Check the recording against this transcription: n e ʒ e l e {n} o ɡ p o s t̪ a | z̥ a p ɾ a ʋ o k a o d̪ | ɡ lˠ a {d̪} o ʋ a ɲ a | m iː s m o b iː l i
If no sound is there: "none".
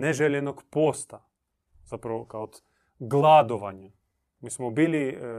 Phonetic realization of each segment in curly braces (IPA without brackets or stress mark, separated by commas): n, d̪